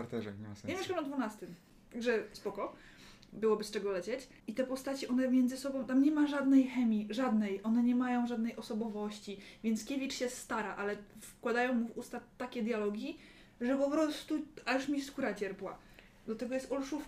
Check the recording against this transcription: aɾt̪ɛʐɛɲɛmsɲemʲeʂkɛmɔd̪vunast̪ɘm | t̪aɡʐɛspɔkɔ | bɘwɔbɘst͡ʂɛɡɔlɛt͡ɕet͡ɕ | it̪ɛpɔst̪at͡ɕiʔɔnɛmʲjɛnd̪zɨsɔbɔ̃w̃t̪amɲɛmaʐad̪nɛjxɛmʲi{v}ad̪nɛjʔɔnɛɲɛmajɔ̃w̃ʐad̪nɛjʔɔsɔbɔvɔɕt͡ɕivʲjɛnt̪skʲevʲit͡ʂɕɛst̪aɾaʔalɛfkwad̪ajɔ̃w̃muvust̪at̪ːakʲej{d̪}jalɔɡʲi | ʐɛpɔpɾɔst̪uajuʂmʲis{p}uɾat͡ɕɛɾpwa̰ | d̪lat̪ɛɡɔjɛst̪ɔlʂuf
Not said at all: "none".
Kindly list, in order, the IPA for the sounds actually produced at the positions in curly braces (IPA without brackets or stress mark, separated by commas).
ʐ, d̪, k